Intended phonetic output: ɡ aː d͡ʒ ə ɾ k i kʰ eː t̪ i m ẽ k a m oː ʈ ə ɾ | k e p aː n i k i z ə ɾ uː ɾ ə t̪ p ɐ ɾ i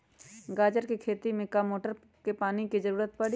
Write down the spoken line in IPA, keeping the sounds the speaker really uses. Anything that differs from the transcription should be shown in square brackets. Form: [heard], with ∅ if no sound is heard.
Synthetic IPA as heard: ɡ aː d͡ʒ ə ɾ k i kʰ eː t̪ i m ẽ k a m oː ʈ ə ɾ | k e p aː n i k i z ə ɾ uː ɾ ə t̪ p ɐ [ɽ] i